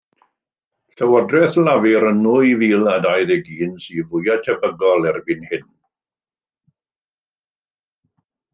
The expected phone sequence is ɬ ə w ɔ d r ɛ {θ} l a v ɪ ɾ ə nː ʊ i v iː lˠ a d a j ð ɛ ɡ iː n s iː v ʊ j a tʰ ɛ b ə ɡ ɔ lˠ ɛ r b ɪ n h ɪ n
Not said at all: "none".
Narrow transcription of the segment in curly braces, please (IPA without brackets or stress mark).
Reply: θ